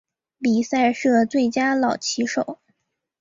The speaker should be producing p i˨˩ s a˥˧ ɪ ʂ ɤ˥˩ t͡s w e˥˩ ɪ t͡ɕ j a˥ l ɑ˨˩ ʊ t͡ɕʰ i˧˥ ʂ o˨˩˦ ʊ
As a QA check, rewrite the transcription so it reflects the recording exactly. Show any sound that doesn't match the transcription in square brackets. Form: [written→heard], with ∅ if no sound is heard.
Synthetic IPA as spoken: p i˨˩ s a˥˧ ɪ ʂ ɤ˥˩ t͡s w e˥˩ ɪ t͡ɕ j a˥ l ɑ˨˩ ʊ t͡ɕʰ i˧˥ ʂ o˨˩˦ ʊ